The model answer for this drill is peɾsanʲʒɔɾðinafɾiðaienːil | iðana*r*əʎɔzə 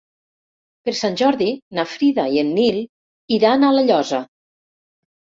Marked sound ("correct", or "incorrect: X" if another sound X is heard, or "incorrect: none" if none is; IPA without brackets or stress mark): incorrect: l